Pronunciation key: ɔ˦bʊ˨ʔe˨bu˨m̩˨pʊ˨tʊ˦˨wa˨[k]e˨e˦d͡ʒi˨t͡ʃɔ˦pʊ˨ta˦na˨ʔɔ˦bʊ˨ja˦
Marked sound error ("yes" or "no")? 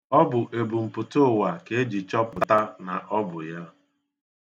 no